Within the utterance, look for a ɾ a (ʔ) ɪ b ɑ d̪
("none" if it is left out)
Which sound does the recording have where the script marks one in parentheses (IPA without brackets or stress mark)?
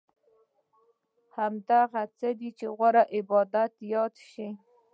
ʔ